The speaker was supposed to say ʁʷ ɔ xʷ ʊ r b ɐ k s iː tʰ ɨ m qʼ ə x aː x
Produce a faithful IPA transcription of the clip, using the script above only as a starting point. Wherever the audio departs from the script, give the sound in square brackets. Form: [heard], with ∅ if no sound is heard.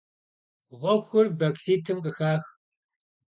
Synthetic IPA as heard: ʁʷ ɔ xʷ ʊ r b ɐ k s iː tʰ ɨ m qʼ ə x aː x